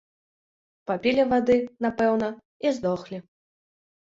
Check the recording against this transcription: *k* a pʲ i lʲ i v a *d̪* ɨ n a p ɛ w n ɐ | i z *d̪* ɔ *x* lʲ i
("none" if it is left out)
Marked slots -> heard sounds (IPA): p, d̪, d̪, x

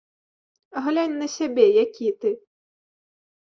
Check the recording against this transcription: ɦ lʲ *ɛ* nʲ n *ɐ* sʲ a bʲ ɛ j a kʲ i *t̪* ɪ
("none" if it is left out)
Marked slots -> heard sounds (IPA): a, ɐ, t̪

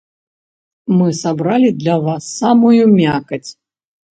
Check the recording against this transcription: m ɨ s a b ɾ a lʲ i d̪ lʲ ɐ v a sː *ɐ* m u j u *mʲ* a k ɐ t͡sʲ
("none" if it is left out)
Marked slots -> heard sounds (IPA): a, mʲ

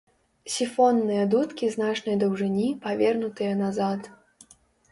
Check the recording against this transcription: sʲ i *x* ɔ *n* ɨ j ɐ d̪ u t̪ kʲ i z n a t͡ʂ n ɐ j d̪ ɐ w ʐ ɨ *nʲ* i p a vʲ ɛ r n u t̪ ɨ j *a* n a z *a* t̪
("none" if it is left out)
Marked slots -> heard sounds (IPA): f, nː, nʲ, ɐ, a

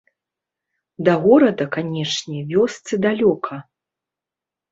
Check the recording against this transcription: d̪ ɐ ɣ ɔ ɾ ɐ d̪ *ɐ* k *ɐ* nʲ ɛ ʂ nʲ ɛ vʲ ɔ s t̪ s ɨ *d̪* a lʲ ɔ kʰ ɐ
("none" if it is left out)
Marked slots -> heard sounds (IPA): ɐ, a, d̪

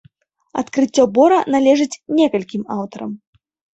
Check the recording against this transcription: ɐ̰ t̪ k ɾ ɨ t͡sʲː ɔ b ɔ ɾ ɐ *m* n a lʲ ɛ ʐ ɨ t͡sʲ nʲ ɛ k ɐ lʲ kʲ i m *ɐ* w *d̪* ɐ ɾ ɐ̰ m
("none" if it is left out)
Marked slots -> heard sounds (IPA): none, a, t̪

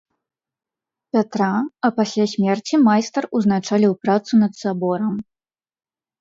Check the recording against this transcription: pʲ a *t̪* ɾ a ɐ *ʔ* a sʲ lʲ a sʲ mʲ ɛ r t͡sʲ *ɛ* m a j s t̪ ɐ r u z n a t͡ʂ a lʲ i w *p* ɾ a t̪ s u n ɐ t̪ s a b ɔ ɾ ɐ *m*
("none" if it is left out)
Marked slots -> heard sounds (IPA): t̪, p, i, p, m

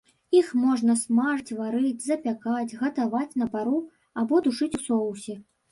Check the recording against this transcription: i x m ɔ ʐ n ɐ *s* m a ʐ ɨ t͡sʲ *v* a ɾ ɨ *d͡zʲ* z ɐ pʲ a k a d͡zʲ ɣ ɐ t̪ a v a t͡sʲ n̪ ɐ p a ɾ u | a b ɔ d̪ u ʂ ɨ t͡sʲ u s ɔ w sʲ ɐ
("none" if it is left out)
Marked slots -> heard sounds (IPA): s, v, d͡zʲ

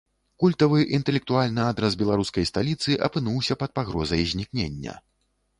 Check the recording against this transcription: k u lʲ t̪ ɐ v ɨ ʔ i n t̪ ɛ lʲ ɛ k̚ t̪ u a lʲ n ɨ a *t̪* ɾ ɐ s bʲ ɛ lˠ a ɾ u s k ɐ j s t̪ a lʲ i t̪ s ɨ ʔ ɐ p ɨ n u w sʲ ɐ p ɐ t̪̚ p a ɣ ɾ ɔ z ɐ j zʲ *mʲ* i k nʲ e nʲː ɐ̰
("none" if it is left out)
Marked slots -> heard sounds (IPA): d̪, nʲ

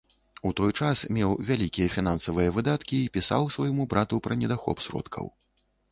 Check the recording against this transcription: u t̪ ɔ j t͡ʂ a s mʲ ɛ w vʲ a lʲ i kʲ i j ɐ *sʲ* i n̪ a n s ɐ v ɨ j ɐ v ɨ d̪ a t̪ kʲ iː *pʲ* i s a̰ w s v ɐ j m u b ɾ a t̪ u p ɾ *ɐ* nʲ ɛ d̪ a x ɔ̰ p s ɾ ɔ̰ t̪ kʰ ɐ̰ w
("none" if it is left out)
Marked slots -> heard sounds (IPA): fʲ, pʲ, ɐ

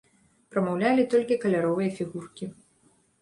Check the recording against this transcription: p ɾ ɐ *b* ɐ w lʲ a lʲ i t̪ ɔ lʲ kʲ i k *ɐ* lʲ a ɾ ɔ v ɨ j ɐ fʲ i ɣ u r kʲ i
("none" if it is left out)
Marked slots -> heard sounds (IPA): m, ɐ

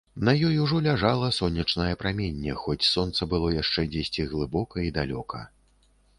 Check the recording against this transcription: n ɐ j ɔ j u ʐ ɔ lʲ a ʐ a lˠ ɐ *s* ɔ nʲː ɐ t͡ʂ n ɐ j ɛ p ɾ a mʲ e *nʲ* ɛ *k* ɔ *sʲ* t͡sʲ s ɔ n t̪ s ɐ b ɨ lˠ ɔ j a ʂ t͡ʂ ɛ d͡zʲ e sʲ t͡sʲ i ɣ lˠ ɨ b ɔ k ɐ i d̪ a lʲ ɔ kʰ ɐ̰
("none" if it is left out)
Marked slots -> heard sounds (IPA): s, nʲː, x, none

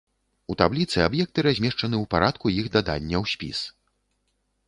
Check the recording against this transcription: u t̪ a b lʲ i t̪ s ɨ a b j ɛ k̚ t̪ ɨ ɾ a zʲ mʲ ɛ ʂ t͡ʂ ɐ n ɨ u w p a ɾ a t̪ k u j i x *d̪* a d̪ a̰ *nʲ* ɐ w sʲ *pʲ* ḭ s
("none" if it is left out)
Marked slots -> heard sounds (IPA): d̪, nʲː, pʲ

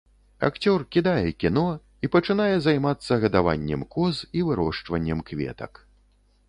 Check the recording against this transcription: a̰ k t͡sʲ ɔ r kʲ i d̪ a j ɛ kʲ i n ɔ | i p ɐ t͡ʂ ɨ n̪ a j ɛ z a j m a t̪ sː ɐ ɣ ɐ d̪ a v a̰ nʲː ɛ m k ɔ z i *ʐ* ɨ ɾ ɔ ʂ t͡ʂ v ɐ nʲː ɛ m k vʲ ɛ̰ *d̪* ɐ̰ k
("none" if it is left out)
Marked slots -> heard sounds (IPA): v, t̪

